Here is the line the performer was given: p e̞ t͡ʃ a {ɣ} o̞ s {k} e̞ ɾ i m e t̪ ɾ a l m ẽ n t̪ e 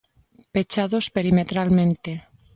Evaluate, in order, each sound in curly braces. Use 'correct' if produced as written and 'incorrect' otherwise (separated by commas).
incorrect, incorrect